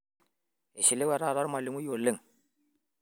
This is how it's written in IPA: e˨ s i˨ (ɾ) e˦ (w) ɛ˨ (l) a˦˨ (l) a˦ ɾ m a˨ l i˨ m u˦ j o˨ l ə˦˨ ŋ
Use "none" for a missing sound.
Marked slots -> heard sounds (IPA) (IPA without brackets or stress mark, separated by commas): l, w, ɾ, ɾ